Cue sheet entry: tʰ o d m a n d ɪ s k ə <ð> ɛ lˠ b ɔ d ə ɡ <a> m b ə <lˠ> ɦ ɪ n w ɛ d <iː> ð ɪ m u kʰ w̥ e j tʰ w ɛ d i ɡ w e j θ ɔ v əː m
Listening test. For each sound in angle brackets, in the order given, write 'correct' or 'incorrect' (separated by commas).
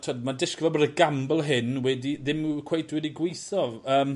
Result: incorrect, correct, correct, incorrect